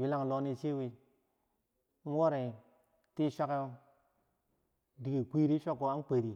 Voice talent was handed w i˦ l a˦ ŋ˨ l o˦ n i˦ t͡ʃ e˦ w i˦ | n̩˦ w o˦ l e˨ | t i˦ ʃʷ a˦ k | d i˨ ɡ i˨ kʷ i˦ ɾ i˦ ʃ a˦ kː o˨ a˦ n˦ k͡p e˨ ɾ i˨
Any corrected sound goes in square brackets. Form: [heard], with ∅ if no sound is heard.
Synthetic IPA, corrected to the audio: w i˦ l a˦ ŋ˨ l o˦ n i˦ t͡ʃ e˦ w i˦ | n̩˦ w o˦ [ɾ] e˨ | t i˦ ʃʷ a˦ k | d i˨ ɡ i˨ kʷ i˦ ɾ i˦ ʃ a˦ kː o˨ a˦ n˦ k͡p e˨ ɾ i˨